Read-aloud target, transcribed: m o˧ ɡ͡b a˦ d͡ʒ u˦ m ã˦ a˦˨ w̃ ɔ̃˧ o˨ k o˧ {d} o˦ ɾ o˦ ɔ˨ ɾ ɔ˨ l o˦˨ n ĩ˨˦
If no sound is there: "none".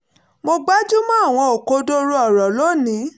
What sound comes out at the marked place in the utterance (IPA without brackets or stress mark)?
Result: d